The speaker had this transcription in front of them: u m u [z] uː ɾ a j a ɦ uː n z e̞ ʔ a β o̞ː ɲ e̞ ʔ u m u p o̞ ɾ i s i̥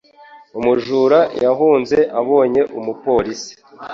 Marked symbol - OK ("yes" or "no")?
no